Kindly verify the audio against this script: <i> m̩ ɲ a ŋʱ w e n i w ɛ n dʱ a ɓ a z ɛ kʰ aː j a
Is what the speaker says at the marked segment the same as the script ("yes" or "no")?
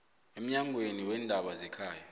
no